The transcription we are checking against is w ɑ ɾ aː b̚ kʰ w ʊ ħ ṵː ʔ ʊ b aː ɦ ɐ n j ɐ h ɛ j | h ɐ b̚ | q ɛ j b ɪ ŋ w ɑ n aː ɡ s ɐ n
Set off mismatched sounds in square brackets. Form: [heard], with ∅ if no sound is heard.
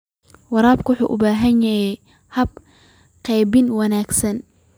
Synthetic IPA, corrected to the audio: w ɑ ɾ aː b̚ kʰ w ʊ ħ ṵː ʔ ʊ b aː ɦ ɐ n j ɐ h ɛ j | h ɐ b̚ | q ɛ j b ɪ [n] w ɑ n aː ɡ s ɐ n